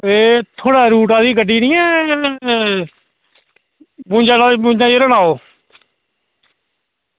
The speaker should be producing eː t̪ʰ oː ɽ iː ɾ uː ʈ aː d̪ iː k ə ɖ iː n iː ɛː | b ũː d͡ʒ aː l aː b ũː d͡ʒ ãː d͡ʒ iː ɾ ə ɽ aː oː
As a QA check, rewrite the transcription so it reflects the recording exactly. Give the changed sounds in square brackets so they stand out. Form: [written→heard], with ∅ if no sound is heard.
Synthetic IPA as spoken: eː t̪ʰ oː ɽ [iː→aː] ɾ uː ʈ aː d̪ iː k ə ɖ iː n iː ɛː | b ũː d͡ʒ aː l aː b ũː d͡ʒ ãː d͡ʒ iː ɾ ə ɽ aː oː